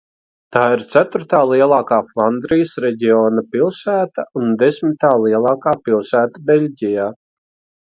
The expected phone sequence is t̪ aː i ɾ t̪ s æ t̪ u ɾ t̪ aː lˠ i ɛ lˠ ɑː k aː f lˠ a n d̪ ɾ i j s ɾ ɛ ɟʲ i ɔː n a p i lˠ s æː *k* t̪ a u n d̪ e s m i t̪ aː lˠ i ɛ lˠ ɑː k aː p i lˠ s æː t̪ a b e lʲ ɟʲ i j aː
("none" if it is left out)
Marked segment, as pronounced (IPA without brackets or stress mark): none